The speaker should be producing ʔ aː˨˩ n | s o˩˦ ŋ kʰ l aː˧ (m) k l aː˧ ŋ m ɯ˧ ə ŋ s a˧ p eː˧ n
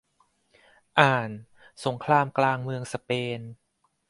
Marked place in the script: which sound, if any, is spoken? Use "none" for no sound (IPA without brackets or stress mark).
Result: m